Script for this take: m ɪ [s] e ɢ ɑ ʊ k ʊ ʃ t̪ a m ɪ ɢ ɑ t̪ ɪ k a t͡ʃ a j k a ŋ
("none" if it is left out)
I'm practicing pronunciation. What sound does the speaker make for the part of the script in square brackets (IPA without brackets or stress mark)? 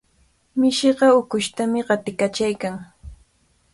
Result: ʃ